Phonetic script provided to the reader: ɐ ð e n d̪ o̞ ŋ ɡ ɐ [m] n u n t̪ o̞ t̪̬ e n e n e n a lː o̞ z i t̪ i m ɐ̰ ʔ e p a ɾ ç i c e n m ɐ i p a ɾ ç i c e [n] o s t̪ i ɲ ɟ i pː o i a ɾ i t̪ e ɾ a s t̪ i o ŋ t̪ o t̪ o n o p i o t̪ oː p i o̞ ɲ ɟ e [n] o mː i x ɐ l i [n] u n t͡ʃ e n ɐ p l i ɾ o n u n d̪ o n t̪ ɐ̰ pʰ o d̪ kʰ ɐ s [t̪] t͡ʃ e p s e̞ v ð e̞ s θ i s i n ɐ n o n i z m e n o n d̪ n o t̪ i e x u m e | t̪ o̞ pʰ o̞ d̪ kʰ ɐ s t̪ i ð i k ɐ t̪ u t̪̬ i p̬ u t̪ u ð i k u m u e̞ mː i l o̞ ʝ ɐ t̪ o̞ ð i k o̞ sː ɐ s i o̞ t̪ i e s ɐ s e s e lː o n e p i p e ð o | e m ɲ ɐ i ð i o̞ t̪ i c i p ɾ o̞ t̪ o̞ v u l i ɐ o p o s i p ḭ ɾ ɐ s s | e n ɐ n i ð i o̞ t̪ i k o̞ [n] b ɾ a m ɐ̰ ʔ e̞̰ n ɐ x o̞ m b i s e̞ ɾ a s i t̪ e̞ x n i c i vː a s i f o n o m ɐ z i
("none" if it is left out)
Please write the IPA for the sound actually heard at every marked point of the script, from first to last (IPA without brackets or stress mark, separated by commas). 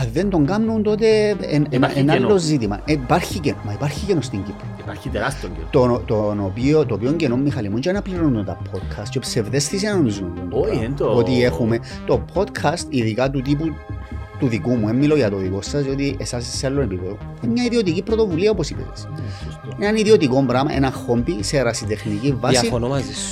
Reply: m, n, n, m, t̪, m